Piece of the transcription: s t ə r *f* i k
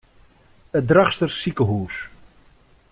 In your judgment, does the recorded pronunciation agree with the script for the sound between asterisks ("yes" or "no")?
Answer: no